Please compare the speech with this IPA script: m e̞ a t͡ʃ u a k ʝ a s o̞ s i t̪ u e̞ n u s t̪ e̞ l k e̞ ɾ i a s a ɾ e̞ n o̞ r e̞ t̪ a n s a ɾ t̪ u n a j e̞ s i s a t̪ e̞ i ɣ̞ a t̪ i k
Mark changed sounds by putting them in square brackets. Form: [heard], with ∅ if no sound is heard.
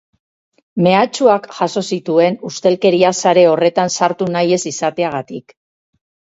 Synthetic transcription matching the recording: m e̞ a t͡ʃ u a k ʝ a s o̞ s i t̪ u e̞ n u s t̪ e̞ l k e̞ ɾ i a s a ɾ e̞ [∅] o̞ r e̞ t̪ a n s a ɾ t̪ u n a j e̞ s i s a t̪ e̞ [a] ɣ̞ a t̪ i k